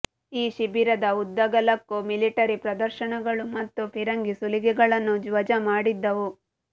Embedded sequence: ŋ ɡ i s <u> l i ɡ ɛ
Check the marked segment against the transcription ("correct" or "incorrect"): correct